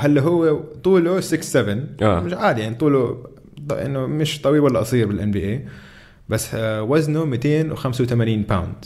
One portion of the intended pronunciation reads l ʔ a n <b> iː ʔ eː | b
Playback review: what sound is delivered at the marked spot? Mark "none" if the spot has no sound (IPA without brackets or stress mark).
b